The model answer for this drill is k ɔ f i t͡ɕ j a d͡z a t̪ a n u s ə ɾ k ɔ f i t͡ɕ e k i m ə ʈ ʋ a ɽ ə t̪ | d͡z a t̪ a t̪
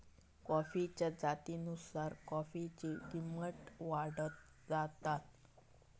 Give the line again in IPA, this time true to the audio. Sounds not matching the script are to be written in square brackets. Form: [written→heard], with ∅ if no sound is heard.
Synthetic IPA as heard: k ɔ f i t͡ɕ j a d͡z a t̪ [a→i] n u s [ə→a] ɾ k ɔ f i t͡ɕ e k i m ə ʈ ʋ a ɽ ə t̪ | d͡z a t̪ a t̪